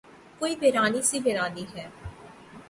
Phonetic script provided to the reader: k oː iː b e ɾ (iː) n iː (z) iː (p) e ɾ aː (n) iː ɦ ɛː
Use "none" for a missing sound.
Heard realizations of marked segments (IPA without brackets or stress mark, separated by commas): aː, s, b, n